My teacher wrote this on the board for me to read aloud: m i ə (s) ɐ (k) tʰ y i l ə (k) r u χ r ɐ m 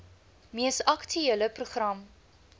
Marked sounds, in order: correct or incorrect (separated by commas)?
correct, correct, incorrect